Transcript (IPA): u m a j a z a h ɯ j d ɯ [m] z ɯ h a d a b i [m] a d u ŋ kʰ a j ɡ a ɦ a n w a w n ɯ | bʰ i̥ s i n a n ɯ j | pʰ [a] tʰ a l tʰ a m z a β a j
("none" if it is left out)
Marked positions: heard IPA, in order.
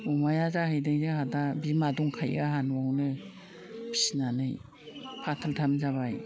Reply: ŋ, m, a

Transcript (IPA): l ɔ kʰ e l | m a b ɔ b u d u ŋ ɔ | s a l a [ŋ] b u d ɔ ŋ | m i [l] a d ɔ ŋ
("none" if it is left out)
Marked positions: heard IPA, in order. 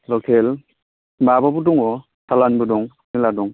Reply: n, l

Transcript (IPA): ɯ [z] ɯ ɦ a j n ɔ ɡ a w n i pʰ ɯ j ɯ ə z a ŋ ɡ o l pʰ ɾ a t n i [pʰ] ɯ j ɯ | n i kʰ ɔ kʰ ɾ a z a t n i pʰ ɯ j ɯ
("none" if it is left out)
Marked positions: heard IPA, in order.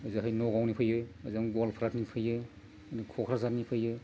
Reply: z, pʰ

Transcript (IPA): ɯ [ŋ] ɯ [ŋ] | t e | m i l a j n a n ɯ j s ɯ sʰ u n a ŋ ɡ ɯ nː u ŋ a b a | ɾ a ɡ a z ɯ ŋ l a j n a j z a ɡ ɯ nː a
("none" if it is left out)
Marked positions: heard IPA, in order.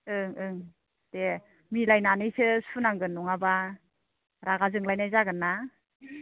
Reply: ŋ, ŋ

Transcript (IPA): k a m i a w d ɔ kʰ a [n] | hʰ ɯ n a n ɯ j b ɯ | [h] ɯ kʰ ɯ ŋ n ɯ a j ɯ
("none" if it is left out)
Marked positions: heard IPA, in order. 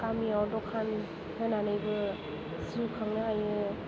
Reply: n, s

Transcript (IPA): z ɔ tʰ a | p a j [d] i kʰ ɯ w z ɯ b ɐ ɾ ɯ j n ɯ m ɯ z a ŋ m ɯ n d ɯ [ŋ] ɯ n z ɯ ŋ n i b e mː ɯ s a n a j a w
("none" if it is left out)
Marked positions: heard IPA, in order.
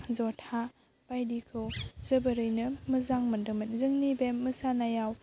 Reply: d, m

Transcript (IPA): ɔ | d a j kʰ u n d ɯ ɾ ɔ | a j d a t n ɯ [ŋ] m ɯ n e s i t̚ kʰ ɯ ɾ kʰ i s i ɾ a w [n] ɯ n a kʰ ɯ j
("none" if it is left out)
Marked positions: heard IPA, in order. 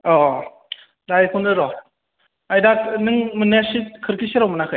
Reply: ŋ, m

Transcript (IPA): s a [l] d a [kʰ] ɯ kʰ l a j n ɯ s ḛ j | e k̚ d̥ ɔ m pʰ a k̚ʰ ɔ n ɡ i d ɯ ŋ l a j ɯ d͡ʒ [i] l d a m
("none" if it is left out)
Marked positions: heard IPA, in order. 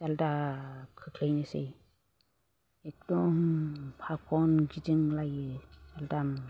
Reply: l, kʰ, a

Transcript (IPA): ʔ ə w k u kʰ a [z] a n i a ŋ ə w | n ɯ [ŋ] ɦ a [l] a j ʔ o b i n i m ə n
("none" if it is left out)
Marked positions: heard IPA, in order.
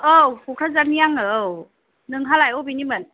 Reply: z, ŋ, l

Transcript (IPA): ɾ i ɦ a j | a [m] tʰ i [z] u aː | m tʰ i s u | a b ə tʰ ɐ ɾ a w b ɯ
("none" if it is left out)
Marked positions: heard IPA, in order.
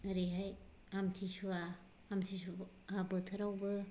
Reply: m, s

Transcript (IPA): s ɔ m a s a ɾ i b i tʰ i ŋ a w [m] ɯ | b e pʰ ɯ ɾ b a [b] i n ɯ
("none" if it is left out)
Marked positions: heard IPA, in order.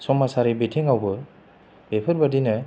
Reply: b, d

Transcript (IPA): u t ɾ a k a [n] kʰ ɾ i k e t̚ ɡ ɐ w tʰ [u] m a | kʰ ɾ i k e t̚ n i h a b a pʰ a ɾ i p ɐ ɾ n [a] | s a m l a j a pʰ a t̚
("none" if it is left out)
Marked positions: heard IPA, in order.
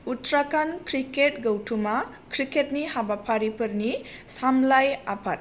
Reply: n, u, i

